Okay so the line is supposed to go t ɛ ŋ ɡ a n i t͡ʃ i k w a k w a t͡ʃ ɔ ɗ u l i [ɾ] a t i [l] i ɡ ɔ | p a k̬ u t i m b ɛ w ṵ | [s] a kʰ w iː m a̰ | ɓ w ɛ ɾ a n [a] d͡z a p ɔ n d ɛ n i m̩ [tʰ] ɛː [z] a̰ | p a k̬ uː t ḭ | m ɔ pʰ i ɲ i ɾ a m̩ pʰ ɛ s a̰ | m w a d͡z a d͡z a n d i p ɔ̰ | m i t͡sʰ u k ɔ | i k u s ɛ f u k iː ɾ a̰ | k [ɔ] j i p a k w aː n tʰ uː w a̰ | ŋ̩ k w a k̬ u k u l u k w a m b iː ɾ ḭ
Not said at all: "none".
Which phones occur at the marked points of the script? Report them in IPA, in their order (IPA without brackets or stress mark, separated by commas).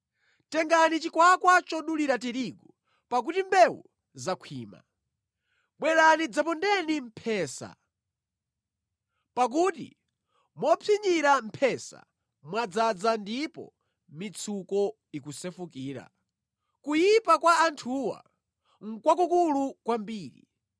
ɾ, ɾ, z, i, pʰ, s, u